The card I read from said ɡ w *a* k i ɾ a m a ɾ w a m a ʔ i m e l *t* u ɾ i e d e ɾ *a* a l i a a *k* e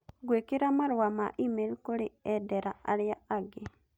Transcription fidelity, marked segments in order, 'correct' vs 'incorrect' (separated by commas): incorrect, incorrect, correct, incorrect